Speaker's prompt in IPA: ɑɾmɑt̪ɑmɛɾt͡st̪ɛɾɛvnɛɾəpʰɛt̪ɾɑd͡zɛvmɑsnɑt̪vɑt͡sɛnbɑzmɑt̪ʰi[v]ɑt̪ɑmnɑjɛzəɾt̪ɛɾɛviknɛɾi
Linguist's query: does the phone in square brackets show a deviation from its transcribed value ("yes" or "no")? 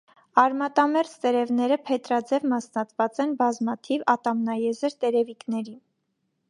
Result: no